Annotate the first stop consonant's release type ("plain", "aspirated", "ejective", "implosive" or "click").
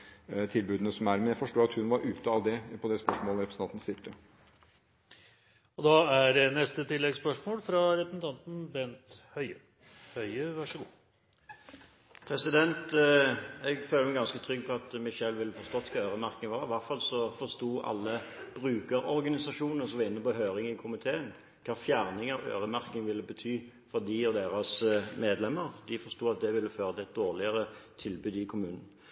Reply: aspirated